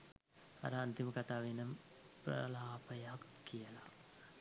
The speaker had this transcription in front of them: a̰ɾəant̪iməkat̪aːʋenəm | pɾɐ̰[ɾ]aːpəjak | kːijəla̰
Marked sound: incorrect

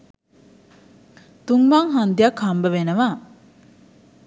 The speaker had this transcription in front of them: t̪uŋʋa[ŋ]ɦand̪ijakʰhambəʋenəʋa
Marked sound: correct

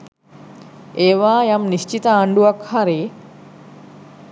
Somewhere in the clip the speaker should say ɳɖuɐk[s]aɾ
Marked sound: incorrect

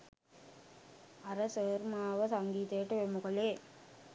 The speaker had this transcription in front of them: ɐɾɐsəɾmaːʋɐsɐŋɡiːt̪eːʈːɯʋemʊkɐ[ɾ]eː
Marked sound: incorrect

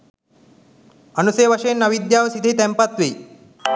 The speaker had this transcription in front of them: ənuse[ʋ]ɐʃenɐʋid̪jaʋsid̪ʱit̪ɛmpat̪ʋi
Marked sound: correct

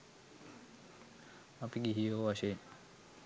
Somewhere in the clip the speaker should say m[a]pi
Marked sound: correct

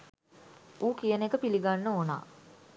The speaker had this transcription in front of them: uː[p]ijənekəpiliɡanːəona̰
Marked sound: incorrect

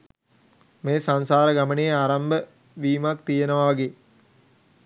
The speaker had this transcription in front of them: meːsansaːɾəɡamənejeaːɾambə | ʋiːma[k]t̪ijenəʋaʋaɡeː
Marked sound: correct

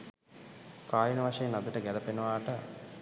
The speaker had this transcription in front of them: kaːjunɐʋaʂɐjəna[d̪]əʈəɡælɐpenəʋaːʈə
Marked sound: correct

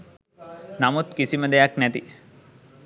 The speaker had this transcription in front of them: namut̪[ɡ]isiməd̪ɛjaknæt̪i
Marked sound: incorrect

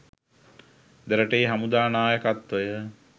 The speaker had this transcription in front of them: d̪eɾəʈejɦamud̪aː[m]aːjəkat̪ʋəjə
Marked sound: incorrect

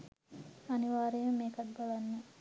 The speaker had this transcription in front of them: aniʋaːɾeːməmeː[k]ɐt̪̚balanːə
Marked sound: correct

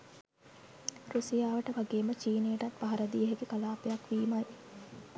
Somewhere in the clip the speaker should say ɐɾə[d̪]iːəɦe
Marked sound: correct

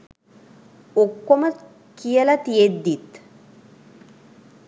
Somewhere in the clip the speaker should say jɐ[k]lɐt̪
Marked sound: incorrect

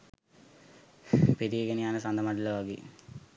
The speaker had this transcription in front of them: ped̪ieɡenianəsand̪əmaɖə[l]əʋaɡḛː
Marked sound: correct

